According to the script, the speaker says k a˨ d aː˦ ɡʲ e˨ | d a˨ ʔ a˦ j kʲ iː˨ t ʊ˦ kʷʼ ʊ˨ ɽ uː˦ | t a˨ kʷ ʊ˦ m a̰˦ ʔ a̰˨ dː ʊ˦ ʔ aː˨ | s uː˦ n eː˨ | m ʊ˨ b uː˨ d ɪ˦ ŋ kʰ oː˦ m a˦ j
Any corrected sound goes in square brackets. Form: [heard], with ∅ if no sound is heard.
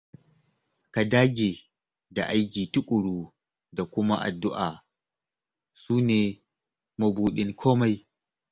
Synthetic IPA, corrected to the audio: k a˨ d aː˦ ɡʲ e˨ | d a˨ ʔ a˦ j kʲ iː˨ t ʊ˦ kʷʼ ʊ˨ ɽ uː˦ | [d] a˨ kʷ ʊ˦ m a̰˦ ʔ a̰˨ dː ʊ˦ ʔ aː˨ | s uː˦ n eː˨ | m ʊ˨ b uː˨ [ɗ] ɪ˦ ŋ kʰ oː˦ m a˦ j